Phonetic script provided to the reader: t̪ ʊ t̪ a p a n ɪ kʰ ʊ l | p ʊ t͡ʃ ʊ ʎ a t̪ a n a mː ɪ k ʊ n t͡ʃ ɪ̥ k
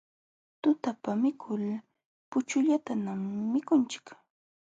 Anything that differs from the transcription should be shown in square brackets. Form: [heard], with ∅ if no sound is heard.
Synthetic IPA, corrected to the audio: t̪ ʊ t̪ a p a [m] ɪ kʰ ʊ l | p ʊ t͡ʃ ʊ ʎ a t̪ a n a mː ɪ k ʊ n t͡ʃ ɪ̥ k